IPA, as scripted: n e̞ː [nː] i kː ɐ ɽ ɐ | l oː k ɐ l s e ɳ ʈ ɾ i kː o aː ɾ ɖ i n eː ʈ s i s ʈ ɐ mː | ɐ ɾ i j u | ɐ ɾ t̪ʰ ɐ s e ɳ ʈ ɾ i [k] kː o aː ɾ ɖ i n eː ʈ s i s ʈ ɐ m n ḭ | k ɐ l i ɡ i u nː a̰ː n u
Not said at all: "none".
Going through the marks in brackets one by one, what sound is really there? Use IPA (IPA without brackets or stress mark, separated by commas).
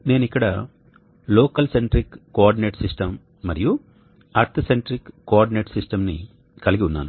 n, k